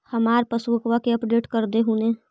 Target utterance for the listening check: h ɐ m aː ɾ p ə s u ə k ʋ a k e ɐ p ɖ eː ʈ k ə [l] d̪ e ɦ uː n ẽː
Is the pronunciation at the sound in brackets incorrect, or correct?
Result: incorrect